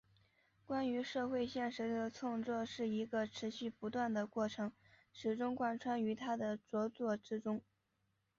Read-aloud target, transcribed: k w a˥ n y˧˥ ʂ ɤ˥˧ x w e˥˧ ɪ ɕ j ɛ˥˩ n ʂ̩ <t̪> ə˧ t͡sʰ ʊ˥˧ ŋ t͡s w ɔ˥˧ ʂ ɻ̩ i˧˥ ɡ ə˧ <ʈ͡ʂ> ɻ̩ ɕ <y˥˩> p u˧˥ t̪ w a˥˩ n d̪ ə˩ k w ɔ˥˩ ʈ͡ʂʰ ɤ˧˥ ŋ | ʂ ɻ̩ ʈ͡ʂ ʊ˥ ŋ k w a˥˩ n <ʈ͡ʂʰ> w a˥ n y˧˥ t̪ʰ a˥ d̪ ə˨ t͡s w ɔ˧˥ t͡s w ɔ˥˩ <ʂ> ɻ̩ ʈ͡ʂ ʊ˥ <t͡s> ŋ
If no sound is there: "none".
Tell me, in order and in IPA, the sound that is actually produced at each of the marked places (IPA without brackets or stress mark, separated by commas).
d̪, ʈ͡ʂʰ, y˥˩, ʈ͡ʂʰ, ʈ͡ʂ, none